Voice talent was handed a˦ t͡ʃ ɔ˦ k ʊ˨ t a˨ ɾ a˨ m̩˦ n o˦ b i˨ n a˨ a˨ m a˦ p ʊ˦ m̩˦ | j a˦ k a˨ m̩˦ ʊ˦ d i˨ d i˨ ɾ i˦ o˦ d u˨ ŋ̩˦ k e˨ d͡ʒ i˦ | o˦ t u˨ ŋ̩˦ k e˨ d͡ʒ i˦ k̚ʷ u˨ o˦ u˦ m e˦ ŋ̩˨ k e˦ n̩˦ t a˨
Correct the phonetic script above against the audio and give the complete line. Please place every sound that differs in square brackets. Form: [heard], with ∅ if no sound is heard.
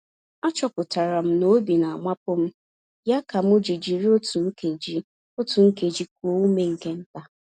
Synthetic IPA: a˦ t͡ʃ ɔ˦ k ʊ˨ t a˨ ɾ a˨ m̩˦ n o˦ b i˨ n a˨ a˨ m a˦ p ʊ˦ m̩˦ | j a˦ k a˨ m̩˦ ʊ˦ [d͡ʒ] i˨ [d͡ʒ] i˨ ɾ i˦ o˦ [t] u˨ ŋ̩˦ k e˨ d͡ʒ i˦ | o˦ t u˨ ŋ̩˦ k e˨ d͡ʒ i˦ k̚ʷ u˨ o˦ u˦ m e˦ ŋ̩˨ k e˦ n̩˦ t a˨